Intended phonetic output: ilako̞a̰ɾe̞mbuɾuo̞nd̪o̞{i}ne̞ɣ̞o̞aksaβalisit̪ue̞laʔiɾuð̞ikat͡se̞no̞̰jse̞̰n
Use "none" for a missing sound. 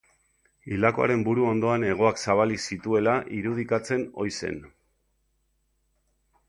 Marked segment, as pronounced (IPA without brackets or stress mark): a